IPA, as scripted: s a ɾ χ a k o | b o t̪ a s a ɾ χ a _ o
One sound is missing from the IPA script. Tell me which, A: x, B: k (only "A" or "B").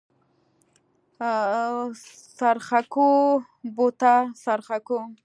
B